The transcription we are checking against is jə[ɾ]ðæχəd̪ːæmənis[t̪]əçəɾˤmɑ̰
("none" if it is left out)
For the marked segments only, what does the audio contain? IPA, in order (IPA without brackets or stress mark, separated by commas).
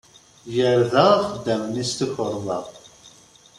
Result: ɾ, t̪